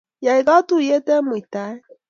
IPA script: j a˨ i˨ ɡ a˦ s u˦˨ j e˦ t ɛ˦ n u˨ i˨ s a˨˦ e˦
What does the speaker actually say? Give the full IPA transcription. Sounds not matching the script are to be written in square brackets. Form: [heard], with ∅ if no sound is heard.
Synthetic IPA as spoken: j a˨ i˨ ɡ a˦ [t] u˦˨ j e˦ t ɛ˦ [m] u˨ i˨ [t] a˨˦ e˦

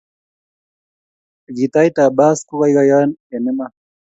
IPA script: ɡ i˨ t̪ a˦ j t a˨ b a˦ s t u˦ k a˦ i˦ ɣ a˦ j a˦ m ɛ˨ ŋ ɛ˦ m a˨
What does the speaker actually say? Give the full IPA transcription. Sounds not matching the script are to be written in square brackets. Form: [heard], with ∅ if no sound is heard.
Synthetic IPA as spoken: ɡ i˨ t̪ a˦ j t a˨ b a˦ s [k] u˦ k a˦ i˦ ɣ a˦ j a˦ [n] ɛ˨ [n] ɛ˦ m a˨

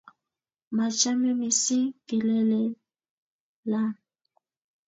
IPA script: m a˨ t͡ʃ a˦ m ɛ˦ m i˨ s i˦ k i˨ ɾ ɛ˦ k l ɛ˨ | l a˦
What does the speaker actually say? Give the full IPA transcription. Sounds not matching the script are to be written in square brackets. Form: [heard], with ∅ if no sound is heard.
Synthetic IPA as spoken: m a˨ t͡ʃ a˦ m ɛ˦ m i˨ s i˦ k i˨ [l] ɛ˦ [∅] l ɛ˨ | l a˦

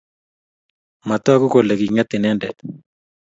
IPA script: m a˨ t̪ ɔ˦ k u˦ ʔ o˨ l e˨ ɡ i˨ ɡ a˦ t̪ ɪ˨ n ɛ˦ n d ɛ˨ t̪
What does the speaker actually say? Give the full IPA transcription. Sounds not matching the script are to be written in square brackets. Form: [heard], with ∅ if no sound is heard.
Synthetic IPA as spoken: m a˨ t̪ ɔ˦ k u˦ [k] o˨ l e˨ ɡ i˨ [ŋ] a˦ t̪ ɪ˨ n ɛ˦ n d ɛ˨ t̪

